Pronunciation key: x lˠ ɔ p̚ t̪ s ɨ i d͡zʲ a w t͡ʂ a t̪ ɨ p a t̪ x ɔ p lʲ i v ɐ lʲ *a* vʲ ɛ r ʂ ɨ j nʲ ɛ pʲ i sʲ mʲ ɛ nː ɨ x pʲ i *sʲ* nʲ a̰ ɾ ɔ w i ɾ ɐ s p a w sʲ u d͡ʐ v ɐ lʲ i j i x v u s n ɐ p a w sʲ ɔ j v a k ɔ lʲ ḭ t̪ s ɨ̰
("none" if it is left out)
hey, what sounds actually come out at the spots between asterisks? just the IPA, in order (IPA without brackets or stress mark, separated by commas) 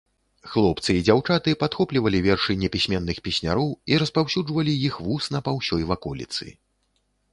i, sʲ